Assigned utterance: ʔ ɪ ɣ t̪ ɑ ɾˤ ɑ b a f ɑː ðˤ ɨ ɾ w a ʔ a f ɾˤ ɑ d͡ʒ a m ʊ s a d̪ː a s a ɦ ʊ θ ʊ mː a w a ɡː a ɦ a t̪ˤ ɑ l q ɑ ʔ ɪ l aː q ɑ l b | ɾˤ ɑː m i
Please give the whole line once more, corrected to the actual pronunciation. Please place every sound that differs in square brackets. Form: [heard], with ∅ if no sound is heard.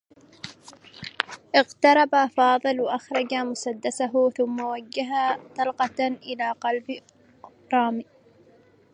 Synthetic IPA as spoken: ʔ ɪ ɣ t̪ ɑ ɾˤ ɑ b a f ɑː ðˤ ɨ [l] w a ʔ a [x] ɾˤ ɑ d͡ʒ a m ʊ s a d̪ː a s a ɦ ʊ θ ʊ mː a w a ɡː a ɦ a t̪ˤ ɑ l q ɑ ʔ ɪ l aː q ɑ l b | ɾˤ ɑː m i